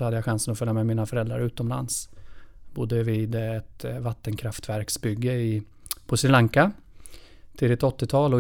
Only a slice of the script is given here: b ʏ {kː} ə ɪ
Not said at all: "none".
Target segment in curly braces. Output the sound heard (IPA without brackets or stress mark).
ɡː